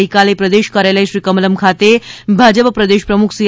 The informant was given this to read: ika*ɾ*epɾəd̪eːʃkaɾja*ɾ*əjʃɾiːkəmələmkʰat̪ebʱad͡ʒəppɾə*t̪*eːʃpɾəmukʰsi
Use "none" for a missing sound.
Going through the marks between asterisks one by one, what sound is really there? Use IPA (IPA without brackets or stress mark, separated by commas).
l, l, d̪